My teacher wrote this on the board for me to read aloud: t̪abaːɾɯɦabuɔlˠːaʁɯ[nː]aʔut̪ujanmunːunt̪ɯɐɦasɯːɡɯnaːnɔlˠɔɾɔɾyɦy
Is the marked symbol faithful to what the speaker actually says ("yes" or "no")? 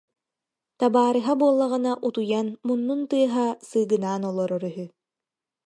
no